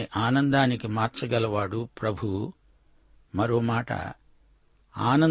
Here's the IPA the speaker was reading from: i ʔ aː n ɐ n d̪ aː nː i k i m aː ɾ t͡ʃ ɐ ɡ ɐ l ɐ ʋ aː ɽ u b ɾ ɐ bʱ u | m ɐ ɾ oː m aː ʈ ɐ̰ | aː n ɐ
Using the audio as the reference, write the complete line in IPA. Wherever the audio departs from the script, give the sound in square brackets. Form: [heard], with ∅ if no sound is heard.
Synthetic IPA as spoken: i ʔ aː n ɐ n d̪ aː [n] i k i m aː ɾ t͡ʃ ɐ ɡ ɐ l ɐ ʋ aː ɽ u [p] ɾ ɐ bʱ u | m ɐ ɾ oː m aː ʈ ɐ̰ | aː n ɐ